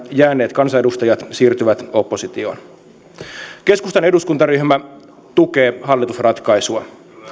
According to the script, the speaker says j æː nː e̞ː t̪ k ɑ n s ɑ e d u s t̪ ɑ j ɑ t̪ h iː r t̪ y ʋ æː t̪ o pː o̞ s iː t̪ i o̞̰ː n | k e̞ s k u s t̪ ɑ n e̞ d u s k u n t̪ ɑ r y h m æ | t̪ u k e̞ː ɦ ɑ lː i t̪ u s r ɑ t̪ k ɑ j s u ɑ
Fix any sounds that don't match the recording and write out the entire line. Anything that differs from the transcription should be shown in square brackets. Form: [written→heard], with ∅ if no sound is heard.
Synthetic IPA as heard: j æː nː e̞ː t̪ k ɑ n s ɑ e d u s t̪ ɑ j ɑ t̪ [h→s] iː r t̪ y ʋ [æː→æ] t̪ o pː o̞ s [iː→i] t̪ i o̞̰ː n | k e̞ s k u s t̪ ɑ n e̞ d u s k u n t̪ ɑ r y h m æ | t̪ u k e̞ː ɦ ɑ lː i t̪ u s r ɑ t̪ k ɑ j s u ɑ

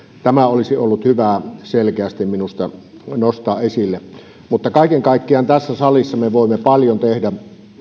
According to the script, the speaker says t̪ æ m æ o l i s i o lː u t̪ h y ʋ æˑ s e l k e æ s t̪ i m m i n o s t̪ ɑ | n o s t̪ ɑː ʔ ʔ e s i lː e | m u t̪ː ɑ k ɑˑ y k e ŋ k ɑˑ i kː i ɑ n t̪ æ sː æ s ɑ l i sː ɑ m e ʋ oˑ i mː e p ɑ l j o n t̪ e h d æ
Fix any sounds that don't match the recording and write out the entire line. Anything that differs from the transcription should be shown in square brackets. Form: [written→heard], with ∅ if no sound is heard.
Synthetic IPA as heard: t̪ æ m æ o l i s i o lː u t̪ h y ʋ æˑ s e l k e æ s t̪ i m m i n [o→u] s t̪ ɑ | n o s t̪ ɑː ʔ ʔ e s i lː e | m u t̪ː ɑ k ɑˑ [y→i] k e ŋ k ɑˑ i kː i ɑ n t̪ æ sː æ s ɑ l i sː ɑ m e ʋ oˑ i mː e p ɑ l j o n t̪ e h d æ

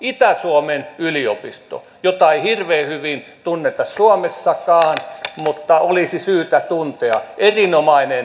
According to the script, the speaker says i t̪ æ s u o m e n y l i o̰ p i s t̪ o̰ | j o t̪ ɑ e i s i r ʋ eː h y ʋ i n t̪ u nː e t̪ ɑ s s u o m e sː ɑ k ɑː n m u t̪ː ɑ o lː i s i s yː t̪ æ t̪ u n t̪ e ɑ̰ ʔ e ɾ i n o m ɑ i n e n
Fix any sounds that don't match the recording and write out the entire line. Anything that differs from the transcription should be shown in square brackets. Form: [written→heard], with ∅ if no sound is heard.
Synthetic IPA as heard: i t̪ æ s u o m e n y l i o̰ p i s t̪ o̰ | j o t̪ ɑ e i [s→h] i r ʋ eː h y ʋ i n t̪ u nː e t̪ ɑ s s u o m e sː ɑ k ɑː n m u t̪ː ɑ o [lː→l] i s i s yː t̪ æ t̪ u n t̪ e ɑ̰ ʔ e [ɾ→r] i n o m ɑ i n e n

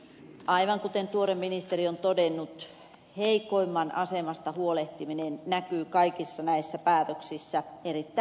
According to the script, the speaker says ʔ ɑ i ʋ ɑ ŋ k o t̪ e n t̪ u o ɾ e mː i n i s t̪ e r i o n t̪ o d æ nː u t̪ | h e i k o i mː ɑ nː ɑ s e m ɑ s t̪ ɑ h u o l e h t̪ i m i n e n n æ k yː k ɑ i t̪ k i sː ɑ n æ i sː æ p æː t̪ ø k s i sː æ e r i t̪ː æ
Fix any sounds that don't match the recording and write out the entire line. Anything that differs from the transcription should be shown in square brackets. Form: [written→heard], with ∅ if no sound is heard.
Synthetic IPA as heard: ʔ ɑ i ʋ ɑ ŋ k [o→u] t̪ e n t̪ u o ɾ e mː i n i s t̪ e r i o n t̪ o d [æ→e] nː u t̪ | h e i k o i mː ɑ [nː→n] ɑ s e m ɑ s t̪ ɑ h u o l e h t̪ i m i n e n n æ k yː k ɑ i [t̪→∅] k i sː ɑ n æ i sː æ p æː t̪ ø k s i sː æ e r i t̪ː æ

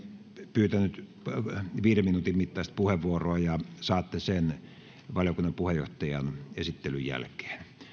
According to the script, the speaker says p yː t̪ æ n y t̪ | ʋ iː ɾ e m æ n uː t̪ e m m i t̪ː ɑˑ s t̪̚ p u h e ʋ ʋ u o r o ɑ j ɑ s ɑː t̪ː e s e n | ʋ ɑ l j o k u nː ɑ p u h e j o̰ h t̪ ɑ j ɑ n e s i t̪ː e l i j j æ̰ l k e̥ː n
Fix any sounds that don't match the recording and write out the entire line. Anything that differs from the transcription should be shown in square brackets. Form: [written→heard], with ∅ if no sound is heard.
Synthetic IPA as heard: p yː t̪ æ n y t̪ | ʋ iː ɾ e m [æ→i] n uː t̪ [e→i] m m i t̪ː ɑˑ s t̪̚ p u h e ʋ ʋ u o r o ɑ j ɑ s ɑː t̪ː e s e n | ʋ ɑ l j o k u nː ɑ p u h e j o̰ h t̪ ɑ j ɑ n e s i t̪ː e l [i→y] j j æ̰ l k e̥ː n

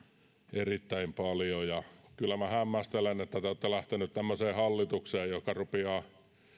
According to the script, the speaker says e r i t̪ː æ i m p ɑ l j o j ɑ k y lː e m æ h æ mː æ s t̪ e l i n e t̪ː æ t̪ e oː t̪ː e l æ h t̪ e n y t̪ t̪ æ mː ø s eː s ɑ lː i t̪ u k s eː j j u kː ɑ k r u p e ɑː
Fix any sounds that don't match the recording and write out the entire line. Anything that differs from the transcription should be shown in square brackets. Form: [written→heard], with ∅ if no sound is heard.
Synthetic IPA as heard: e r i t̪ː æ i m p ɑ l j o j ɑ k y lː [e→æ] m æ h æ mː æ s t̪ e l [i→e] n e t̪ː æ t̪ e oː t̪ː e l æ h t̪ e n y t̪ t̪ æ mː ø s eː [s→h] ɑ lː i t̪ u k s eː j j [u→o] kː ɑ [k→∅] r u p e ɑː

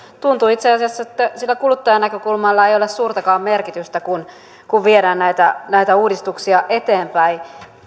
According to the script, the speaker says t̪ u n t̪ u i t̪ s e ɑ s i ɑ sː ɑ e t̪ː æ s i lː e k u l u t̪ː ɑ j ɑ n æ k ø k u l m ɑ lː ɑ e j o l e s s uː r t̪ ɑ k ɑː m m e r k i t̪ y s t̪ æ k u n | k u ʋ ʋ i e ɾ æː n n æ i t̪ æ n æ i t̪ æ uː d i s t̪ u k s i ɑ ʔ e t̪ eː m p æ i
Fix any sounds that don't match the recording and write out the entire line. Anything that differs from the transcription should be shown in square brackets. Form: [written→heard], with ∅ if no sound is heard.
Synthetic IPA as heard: t̪ u n t̪ u i t̪ s e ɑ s i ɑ sː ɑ e t̪ː æ s i lː [e→æ] k u l u t̪ː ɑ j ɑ n æ k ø k u l m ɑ lː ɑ e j o l e s s uː r t̪ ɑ k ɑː m m e r k i t̪ y s t̪ æ k u n | k u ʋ ʋ i e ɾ æː n n æ i t̪ æ n æ i t̪ æ uː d i s t̪ u k s i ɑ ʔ e t̪ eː m p æ i

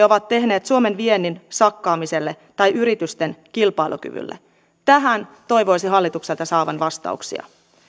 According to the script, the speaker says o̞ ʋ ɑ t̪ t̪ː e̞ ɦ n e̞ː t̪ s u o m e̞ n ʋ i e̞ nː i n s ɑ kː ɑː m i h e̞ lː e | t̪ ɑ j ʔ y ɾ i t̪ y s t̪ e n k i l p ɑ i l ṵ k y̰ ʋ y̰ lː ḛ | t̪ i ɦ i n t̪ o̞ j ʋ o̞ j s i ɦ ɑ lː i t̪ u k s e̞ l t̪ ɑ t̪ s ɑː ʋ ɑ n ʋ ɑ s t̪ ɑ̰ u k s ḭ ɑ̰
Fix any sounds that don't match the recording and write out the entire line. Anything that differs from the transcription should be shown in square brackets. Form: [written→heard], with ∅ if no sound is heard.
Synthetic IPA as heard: o̞ ʋ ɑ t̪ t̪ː e̞ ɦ n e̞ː t̪ s u o m e̞ n ʋ i e̞ nː i n s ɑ kː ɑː m i [h→s] e̞ lː e | t̪ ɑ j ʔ y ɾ i t̪ y s t̪ e n k i l p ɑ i l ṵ k y̰ ʋ y̰ lː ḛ | t̪ [i→æ] ɦ [i→æ] n t̪ o̞ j ʋ o̞ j s i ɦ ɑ lː i t̪ u k s e̞ l t̪ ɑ [t̪→∅] s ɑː ʋ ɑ n ʋ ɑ s t̪ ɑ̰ u k s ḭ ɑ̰

